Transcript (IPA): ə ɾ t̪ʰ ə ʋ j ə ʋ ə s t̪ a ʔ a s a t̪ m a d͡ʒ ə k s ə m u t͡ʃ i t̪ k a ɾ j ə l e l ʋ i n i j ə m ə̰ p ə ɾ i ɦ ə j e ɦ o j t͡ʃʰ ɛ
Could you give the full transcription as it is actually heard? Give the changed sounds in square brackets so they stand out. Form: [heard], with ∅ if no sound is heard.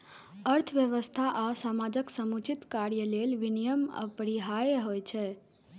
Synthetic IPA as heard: ə ɾ t̪ʰ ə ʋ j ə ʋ ə s [t̪ʰ] a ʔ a s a [∅] m a d͡ʒ ə k s ə m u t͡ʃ i t̪ k a ɾ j ə l e l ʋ i n i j ə m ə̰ p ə ɾ i ɦ [a] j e ɦ o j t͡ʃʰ ɛ